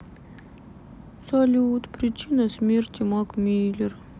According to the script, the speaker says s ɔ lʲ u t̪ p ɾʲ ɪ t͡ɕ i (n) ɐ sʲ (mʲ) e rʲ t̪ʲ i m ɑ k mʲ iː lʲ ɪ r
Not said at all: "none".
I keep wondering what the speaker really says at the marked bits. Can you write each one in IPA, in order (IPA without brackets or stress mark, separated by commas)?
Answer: n, mʲ